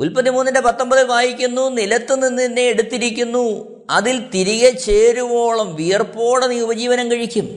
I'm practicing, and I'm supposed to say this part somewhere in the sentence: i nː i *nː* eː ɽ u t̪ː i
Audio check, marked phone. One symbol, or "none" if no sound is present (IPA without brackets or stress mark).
nː